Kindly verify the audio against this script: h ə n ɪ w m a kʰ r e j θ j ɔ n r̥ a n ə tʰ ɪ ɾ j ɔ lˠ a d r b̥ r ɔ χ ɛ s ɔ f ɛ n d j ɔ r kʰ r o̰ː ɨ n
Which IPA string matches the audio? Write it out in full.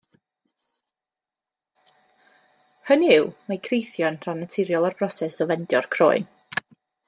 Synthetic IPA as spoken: h ə n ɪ w m a kʰ r e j θ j ɔ n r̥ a n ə tʰ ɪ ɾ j ɔ lˠ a r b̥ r ɔ s ɛ s ɔ v ɛ n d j ɔ r kʰ r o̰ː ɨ n

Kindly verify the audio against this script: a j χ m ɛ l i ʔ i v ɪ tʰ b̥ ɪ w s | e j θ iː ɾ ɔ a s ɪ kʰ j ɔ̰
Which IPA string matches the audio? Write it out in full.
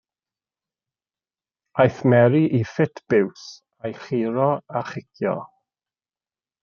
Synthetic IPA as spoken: a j θ m ɛ ɾ i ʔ i f ɪ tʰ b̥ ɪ w s | a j χ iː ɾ ɔ a χ ɪ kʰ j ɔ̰

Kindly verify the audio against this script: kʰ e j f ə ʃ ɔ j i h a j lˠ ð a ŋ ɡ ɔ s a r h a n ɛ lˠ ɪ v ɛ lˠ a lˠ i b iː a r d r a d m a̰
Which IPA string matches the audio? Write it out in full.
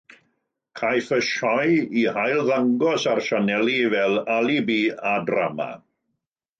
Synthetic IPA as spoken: kʰ a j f ə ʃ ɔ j i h a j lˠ ð a ŋ ɡ ɔ s a r ʃ a n ɛ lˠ i v ɛ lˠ a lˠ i b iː a d r a m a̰

